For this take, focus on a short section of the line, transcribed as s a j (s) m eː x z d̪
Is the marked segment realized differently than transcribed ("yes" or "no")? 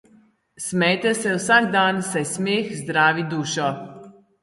no